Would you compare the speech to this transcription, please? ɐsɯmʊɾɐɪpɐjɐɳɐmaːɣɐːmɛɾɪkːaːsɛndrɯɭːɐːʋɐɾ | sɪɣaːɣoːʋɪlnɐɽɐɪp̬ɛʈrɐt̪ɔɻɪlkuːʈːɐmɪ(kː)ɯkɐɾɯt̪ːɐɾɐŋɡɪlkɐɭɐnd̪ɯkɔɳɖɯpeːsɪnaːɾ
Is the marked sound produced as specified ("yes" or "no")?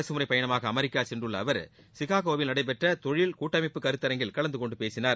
no